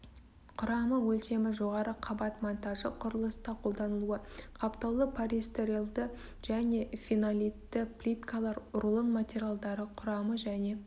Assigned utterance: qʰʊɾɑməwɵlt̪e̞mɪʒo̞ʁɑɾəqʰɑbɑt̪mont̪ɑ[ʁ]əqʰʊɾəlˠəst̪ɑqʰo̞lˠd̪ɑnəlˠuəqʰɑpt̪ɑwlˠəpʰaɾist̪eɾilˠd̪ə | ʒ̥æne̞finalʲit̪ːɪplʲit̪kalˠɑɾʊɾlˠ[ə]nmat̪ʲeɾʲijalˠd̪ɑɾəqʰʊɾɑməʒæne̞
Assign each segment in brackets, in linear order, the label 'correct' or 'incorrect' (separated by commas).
incorrect, correct